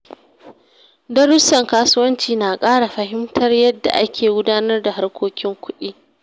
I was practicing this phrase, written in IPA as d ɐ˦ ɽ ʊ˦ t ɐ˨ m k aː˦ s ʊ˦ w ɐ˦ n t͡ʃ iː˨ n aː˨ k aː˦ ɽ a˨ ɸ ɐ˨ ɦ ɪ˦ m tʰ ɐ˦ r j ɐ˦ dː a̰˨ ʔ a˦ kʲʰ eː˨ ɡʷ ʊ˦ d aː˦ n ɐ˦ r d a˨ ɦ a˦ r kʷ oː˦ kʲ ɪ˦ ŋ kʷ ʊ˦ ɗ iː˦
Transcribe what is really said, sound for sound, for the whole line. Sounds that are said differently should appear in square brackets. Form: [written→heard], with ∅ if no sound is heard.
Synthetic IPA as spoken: d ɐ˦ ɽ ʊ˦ [t→s] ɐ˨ [m→ŋ] k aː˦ s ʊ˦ w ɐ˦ n t͡ʃ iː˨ n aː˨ [k→kʼ] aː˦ ɽ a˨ ɸ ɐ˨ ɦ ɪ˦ m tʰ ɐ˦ r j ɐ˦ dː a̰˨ ʔ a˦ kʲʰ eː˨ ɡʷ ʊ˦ d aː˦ n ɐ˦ r d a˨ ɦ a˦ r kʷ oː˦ kʲ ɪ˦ ŋ kʷ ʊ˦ ɗ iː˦